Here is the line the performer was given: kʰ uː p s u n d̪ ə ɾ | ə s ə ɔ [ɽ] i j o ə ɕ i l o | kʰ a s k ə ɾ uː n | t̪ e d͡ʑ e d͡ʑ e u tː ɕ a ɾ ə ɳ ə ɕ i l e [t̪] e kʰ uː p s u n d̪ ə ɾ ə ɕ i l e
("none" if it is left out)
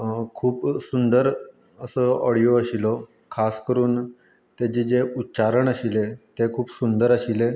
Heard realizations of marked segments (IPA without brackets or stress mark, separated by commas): ɽ, t̪